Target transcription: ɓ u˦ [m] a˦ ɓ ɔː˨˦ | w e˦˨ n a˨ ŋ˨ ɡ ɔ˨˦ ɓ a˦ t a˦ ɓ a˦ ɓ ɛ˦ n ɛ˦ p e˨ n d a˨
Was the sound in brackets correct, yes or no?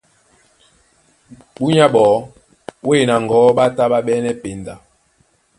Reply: no